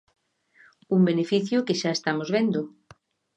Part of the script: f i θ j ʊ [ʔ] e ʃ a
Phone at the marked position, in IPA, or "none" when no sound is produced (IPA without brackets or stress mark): k